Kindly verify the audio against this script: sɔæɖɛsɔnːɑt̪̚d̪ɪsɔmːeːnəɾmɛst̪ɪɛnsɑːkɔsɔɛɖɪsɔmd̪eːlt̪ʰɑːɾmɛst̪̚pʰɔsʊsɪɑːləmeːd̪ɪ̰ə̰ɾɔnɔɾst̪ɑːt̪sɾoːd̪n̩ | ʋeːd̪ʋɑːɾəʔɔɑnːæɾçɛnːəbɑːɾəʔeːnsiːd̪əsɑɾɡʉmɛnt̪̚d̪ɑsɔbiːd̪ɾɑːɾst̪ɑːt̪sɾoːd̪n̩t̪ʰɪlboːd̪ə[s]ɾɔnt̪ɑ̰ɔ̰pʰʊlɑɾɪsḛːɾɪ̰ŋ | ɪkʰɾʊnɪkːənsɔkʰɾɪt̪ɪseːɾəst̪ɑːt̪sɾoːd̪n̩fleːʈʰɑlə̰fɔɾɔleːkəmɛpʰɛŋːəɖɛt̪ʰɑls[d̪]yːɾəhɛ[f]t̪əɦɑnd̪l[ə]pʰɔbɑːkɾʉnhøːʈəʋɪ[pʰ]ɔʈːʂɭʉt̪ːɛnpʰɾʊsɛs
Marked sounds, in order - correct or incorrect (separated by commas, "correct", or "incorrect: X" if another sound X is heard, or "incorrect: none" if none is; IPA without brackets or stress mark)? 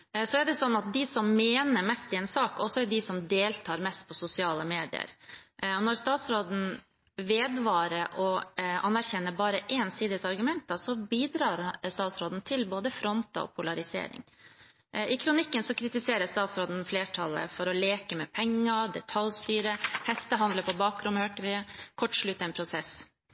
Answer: incorrect: f, incorrect: t̪, incorrect: s, correct, incorrect: kʰ